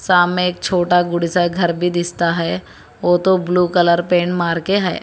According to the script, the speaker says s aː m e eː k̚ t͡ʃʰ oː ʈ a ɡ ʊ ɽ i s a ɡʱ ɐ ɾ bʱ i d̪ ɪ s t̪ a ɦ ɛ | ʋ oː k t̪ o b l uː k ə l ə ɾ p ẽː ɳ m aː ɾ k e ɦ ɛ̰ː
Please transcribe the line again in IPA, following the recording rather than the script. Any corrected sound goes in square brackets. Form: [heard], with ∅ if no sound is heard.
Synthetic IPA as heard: s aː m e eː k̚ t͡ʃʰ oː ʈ a ɡ ʊ ɽ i s a ɡʱ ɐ ɾ bʱ i d̪ ɪ s t̪ a ɦ ɛ | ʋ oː [∅] t̪ o b l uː k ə l ə ɾ p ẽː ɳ m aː ɾ k e ɦ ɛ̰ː